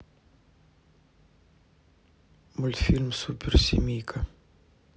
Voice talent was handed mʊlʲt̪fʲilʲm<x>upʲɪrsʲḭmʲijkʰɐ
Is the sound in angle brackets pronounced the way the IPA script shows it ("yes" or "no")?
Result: no